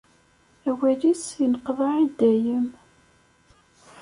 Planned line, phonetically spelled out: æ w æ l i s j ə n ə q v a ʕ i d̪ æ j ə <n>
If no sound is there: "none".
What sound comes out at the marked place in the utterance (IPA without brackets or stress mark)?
m